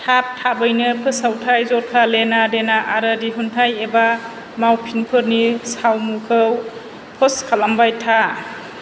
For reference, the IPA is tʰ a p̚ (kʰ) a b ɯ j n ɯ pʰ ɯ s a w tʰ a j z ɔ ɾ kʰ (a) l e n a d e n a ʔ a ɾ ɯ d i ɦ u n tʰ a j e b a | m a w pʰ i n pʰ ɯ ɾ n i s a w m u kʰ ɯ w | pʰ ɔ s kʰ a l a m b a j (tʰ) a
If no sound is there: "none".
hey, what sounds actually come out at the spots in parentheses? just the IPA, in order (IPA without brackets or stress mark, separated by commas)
tʰ, a, tʰ